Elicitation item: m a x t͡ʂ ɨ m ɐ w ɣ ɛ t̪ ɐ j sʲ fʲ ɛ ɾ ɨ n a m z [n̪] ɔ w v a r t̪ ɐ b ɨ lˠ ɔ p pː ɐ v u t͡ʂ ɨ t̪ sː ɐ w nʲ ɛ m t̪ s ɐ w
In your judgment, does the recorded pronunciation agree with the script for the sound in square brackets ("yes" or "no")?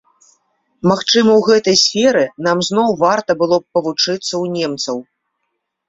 yes